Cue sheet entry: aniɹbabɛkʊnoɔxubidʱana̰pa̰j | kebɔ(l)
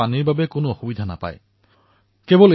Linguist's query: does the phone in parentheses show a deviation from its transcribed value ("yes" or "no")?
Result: no